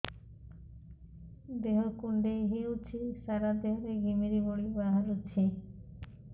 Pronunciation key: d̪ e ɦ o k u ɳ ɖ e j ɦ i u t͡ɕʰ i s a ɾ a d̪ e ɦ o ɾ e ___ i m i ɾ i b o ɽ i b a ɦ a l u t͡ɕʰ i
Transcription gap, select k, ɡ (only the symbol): ɡ